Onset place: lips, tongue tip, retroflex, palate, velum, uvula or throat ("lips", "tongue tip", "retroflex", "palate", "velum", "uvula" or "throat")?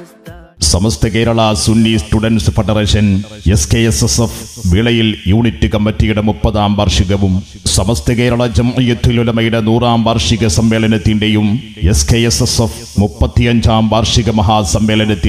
tongue tip